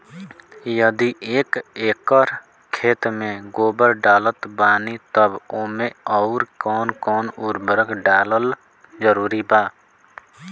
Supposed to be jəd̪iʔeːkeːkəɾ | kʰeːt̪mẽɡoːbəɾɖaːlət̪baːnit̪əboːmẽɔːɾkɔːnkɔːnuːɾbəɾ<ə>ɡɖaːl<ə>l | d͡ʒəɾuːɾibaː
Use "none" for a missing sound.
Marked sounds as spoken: ə, ə

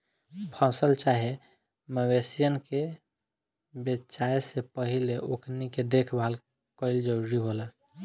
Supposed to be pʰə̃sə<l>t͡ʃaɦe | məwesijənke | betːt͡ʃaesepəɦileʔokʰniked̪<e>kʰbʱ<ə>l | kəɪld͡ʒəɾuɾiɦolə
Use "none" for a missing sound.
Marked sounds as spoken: l, e, a

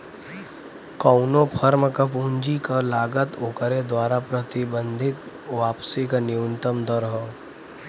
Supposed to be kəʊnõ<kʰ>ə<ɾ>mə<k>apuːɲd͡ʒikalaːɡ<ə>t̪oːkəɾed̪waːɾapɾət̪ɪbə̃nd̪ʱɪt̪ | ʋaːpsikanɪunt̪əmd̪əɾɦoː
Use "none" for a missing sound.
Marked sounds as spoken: pʰ, ɾ, k, ə

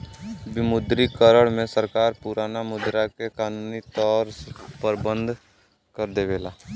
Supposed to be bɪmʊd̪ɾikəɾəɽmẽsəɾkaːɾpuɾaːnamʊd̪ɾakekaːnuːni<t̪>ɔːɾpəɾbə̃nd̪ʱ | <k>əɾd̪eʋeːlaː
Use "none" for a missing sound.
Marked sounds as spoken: t̪, k

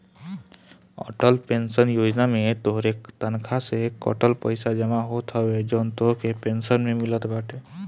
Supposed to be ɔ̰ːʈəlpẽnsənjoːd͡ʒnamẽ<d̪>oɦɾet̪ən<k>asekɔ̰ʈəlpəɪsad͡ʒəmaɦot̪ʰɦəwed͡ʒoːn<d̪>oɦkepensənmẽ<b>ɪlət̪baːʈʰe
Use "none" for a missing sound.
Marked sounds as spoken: t̪, kʰ, t̪, m

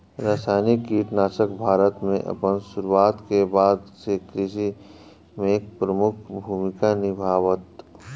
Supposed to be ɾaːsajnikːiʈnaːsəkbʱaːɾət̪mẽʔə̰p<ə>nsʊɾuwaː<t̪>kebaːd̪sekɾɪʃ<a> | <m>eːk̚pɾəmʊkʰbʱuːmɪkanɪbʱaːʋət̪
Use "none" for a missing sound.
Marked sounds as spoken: ə, t̪, i, m

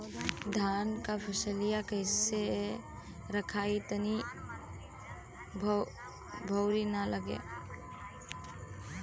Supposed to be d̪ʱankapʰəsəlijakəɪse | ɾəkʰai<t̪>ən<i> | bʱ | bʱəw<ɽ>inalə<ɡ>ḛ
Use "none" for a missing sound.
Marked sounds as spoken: t̪, i, ɾ, ɡ

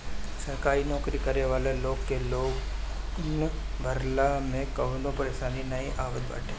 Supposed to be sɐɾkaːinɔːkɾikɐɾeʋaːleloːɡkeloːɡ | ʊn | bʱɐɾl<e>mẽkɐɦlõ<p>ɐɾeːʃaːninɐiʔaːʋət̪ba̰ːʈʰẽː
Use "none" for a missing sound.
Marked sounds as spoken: a, p

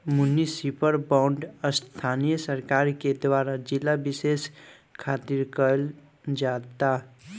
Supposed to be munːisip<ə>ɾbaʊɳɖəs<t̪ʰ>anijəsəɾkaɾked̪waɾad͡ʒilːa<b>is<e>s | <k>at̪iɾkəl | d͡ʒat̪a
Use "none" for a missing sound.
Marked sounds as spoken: ə, t̪ʰ, b, e, kʰ

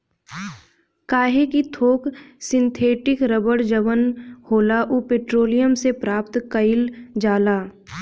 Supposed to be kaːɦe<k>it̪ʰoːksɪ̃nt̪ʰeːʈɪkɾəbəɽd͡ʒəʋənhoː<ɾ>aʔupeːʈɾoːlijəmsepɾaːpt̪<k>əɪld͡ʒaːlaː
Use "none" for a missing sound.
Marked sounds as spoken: k, l, k

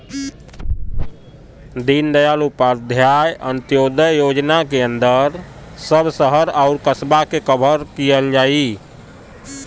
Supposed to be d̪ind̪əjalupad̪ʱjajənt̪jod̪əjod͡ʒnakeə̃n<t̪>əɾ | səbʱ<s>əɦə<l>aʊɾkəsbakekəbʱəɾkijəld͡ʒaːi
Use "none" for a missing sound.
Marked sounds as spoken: d̪, s, ɾ

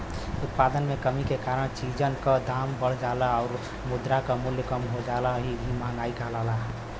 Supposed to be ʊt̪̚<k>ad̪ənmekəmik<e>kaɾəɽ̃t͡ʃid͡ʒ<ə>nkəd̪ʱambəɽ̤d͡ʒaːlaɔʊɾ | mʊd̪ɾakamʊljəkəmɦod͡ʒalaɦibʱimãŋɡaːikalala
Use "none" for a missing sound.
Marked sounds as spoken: p, e, ə

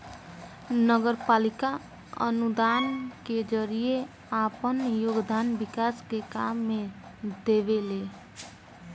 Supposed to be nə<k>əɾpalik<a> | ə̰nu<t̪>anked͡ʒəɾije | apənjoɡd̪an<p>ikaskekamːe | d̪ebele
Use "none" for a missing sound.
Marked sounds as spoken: ɡ, a, d̪, b

